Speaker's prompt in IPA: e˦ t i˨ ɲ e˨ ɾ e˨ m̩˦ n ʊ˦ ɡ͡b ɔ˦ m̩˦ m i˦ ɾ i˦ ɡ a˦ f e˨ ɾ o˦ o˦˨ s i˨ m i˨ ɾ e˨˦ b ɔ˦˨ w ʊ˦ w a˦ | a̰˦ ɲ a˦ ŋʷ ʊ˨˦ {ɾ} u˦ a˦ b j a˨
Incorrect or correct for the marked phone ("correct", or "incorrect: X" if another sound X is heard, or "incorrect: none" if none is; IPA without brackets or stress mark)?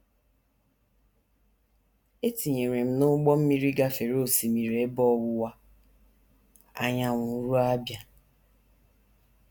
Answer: correct